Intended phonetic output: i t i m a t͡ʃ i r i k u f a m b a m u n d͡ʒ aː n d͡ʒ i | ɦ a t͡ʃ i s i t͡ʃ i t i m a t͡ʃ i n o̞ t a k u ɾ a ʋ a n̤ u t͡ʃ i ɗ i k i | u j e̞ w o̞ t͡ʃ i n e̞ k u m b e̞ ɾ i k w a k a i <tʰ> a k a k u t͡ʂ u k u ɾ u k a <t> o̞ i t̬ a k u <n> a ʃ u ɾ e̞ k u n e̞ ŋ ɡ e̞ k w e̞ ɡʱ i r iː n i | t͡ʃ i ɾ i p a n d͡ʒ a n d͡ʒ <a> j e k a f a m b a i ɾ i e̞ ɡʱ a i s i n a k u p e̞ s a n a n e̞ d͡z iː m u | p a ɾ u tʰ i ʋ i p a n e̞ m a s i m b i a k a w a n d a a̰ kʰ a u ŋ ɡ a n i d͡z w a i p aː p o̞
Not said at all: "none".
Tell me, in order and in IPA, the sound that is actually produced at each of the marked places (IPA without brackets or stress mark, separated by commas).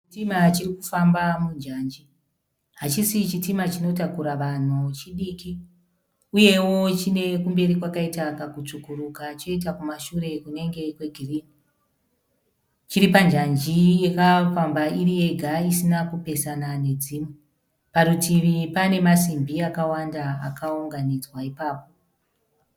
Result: t, t͡ʃ, m, i